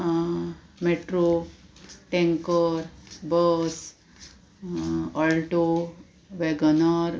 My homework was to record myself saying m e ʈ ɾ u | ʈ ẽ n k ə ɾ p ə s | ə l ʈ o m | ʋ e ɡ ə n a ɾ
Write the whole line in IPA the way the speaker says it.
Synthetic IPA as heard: m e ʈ ɾ o | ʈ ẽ ŋ k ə ɾ b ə s | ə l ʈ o | ʋ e ɡ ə n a ɾ

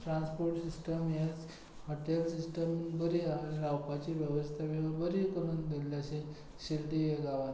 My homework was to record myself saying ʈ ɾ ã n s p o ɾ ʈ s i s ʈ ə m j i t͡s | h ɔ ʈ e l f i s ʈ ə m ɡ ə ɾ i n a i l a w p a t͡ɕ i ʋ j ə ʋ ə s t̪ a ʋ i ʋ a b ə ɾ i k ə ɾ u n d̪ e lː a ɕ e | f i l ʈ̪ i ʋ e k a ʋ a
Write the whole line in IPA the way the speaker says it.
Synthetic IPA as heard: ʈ ɾ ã n s p o ɾ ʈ s i s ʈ ə m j a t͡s | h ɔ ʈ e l s i s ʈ ə m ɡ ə ɾ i a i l a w p a t͡ɕ i ʋ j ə ʋ ə s t̪ʰ a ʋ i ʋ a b ə ɾ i k ə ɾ u n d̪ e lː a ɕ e | ɕ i l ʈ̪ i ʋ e ɡ a ʋ a

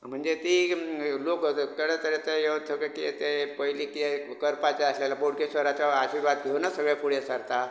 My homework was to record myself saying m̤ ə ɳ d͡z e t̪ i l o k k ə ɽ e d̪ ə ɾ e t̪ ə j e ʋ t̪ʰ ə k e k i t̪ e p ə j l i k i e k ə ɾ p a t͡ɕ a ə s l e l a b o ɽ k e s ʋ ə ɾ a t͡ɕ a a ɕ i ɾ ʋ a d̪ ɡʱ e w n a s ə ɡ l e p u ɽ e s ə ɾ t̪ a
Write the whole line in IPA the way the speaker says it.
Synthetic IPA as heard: m̤ ə ɳ d͡z e t̪ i l o k k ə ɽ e t̪ ə ɾ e t̪ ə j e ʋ t̪ʰ ə k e k i t̪ e p ə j l i k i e k ə ɾ p a t͡ɕ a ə s l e l a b o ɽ k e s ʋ ə ɾ a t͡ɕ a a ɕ i ɾ ʋ a d̪ ɡʱ e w n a s ə ɡ ɭ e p u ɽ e s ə ɾ t̪ a

